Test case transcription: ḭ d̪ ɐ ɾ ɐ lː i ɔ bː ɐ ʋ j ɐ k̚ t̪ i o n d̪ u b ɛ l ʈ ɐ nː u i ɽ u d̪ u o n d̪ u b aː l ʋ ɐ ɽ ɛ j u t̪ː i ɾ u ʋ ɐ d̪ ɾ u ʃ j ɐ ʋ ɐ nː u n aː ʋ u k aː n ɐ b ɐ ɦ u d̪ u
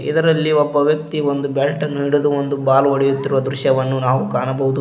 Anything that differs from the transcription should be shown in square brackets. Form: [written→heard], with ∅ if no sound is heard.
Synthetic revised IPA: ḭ d̪ ɐ ɾ ɐ lː i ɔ bː ɐ ʋ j ɐ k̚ t̪ i o n d̪ u b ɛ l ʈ ɐ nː u i ɽ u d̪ u o n d̪ u b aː l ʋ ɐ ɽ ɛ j u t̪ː i ɾ u ʋ ɐ d̪ ɾ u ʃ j ɐ ʋ ɐ nː u n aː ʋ u k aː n ɐ b ɐ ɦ u d̪ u